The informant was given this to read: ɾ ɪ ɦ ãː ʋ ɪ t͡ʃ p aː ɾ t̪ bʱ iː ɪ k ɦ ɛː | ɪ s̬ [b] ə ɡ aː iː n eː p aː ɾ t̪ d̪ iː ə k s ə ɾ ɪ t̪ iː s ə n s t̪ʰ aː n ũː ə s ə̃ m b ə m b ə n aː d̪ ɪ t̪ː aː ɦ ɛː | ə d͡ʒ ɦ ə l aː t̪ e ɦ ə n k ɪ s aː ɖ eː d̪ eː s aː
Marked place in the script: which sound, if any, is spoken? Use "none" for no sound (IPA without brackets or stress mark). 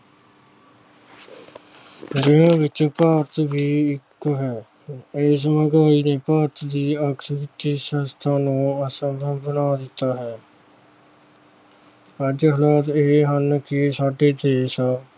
m